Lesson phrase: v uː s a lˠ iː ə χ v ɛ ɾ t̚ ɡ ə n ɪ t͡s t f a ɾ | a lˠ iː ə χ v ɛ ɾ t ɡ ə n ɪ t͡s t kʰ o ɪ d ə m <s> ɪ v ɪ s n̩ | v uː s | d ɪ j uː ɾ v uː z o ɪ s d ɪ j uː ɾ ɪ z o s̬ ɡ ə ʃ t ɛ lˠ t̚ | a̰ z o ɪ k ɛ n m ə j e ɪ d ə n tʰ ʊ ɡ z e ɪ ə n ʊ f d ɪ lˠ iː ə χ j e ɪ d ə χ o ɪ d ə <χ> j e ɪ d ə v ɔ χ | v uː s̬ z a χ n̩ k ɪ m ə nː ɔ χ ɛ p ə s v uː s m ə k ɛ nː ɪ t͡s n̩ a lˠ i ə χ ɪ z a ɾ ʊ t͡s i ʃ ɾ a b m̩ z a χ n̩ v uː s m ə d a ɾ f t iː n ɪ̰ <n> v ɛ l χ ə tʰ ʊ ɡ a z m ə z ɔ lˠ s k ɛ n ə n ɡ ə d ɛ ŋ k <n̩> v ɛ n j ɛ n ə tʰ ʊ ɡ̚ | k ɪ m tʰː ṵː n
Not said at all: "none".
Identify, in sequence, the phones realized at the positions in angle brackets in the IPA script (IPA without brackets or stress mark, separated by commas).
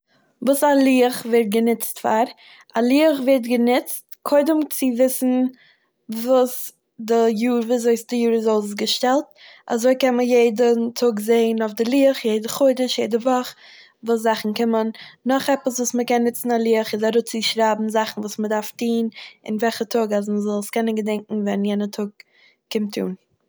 t͡s, ʃ, n, ŋ̩